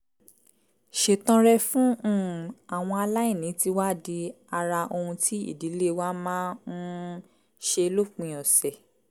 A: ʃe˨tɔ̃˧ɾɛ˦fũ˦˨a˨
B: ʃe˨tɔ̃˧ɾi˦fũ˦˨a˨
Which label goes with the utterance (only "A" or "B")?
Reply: A